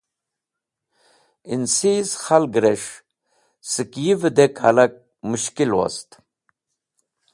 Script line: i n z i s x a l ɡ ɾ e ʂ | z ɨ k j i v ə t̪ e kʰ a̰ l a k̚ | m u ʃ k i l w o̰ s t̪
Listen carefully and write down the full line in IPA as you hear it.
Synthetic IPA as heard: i n s i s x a l ɡ ɾ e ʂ | s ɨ k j i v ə d̪ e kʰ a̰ l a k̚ | m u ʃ k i l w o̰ s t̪